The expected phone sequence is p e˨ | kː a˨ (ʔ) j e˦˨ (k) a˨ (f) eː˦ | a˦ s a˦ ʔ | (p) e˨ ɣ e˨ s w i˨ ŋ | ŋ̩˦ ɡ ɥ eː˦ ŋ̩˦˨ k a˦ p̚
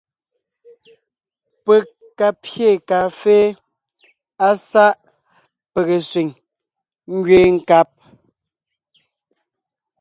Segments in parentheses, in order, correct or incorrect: incorrect: p, correct, correct, correct

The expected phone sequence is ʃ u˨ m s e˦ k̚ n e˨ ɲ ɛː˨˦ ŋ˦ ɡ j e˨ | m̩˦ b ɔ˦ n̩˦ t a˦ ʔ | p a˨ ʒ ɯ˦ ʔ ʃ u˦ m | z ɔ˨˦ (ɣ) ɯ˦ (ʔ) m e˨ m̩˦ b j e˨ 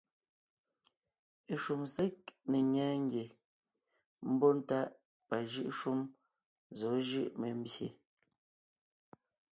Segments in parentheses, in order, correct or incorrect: incorrect: ʒ, correct

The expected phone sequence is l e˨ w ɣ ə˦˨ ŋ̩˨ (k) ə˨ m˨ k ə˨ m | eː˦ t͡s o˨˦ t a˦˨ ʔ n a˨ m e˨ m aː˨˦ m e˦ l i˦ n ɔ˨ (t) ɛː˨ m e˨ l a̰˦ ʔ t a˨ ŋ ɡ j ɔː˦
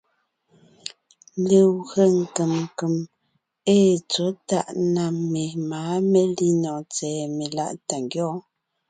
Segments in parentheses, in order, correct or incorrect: correct, incorrect: t͡s

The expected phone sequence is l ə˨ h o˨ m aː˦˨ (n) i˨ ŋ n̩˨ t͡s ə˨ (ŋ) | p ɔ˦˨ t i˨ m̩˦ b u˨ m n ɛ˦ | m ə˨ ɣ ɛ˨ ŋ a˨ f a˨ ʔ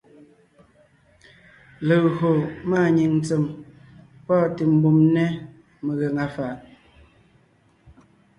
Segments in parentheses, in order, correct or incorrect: incorrect: ɲ, incorrect: m

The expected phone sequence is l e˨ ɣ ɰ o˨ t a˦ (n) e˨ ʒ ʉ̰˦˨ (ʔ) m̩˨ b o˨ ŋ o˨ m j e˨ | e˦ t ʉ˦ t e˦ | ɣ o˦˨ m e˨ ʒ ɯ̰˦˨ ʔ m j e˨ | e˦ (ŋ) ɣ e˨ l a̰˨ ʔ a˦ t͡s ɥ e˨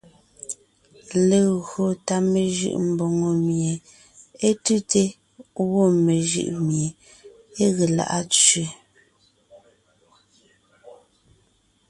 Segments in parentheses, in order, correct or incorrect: incorrect: m, correct, incorrect: none

